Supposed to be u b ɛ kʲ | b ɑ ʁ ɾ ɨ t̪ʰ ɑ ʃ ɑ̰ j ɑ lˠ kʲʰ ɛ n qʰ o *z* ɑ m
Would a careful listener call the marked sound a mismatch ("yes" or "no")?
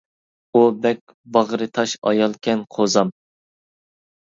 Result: no